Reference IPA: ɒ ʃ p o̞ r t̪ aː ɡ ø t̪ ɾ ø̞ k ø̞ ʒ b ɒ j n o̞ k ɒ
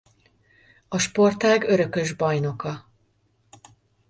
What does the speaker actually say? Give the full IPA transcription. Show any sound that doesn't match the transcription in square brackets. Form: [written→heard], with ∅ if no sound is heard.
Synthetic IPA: ɒ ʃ p o̞ r t̪ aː ɡ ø [t̪→∅] ɾ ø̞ k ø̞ ʒ b ɒ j n o̞ k ɒ